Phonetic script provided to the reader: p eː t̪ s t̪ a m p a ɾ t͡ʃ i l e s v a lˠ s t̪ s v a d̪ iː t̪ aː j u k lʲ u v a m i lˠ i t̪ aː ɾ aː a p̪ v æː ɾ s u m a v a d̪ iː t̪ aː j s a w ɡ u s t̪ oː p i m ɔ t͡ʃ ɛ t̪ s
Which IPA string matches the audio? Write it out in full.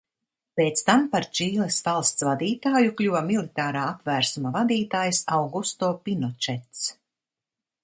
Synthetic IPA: p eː t̪ s t̪ a m p a ɾ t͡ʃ iː l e s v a lˠ s t̪ s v a d̪ iː t̪ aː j u k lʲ u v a m i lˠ i t̪ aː ɾ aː a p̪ v æː ɾ s u m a v a d̪ iː t̪ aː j s a w ɡ u s t̪ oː p i n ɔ t͡ʃ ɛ t̪ s